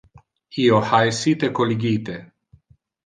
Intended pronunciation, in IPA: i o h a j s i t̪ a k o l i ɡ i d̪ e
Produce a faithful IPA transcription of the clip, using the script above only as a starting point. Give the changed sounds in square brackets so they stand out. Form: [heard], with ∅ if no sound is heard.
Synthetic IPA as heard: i o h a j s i t̪ [e] k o l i ɡ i [t̪] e

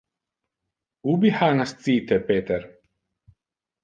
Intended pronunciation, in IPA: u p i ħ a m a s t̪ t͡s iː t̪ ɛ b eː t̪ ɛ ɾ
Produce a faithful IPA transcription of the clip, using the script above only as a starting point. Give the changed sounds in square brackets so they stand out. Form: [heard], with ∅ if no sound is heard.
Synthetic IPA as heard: u [b] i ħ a [n] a s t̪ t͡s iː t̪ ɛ [p] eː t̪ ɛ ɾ

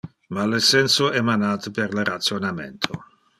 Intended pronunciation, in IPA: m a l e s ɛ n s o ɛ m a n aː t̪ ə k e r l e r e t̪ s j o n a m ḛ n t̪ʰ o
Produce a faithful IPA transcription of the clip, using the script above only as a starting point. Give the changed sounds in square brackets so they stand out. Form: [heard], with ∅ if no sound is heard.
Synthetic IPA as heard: m a l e s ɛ n s o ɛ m a n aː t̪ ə [p] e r l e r [a] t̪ s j o n a m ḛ n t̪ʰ o

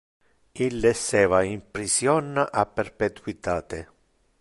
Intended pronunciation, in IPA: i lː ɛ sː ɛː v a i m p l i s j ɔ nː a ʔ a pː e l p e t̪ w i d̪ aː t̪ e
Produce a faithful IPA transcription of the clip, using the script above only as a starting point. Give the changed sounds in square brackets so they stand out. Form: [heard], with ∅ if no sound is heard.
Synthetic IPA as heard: i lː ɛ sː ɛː v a i m p [ɾ] i s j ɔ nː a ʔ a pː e [r] p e t̪ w i [t̪] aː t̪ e

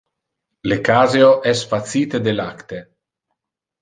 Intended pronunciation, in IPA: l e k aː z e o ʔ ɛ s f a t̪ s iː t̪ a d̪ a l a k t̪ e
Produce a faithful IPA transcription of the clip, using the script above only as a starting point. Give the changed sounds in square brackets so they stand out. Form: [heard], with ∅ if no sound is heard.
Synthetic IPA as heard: l e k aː z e o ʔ ɛ s f a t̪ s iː t̪ [e] d̪ [e] l a k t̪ e

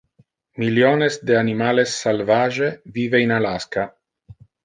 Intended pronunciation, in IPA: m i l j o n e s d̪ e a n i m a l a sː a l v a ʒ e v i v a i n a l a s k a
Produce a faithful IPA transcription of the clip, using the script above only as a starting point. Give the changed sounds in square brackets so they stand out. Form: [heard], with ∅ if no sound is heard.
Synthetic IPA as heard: m i l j o n e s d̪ e a n i m a l [e] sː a l v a ʒ e v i v [e] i n a l a s k a

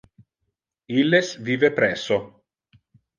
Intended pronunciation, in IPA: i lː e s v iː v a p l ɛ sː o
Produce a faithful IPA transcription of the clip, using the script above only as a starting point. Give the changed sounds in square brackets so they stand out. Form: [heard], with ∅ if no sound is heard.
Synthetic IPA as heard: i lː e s v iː v [e] p [ɾ] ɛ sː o

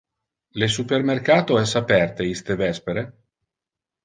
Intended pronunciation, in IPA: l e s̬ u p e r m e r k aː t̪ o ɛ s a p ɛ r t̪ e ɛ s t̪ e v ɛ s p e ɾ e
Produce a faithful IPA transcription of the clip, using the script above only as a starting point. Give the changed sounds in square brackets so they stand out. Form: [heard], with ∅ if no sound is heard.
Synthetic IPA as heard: l e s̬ u p e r m e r k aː t̪ o ɛ s a p ɛ r t̪ e [i] s t̪ e v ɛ s p e ɾ e

